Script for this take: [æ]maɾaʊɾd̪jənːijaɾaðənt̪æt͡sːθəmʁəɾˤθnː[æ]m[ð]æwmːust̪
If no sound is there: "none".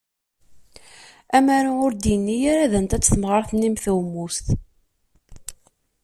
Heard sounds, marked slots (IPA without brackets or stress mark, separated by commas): æ, i, θ